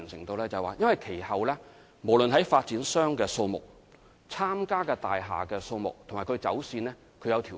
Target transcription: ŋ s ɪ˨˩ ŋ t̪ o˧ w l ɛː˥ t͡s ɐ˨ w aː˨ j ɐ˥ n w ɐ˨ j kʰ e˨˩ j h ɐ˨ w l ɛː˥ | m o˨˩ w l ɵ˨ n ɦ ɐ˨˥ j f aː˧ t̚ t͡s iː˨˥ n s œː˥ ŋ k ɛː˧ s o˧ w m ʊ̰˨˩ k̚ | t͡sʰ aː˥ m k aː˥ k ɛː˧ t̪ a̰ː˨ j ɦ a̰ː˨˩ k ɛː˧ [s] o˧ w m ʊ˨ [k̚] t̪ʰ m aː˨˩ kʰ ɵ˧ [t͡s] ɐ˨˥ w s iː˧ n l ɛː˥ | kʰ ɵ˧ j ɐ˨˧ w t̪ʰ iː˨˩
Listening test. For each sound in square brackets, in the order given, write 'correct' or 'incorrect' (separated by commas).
correct, correct, correct